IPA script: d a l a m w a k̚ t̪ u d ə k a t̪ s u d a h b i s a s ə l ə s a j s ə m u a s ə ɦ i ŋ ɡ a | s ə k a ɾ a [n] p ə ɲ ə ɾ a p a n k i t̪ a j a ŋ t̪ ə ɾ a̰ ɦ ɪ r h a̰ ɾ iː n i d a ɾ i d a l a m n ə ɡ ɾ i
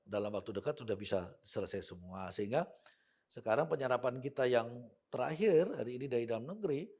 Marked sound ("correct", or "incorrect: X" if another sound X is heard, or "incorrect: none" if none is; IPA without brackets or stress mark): incorrect: ŋ